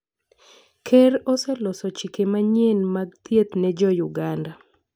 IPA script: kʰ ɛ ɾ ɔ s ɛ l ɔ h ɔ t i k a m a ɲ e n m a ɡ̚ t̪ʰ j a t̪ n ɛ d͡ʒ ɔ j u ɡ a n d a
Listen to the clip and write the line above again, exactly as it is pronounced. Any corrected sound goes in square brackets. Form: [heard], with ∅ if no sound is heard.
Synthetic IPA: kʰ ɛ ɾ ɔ s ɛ l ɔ [s] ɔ [t͡ʃ] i k [e] m a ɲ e n m a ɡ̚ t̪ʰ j [e] t̪ n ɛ d͡ʒ ɔ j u ɡ a n d a